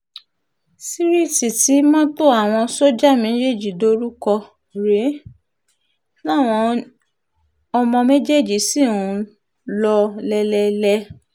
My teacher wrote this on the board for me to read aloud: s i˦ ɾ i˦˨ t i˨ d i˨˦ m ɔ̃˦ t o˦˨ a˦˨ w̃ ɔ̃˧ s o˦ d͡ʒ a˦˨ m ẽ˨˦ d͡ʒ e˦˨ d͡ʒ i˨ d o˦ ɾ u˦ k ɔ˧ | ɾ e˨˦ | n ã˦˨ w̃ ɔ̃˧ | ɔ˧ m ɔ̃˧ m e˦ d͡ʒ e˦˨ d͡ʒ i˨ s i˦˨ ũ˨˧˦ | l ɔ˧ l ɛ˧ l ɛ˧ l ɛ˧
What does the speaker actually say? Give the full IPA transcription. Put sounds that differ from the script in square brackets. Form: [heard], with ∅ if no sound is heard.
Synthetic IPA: s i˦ ɾ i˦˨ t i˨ [t] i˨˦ m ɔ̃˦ t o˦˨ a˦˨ w̃ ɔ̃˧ s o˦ d͡ʒ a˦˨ m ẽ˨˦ d͡ʒ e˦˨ d͡ʒ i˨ d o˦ ɾ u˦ k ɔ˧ | ɾ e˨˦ | n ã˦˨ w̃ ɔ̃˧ | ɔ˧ m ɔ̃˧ m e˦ d͡ʒ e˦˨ d͡ʒ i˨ s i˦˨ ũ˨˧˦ | l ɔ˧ l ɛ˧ l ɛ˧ l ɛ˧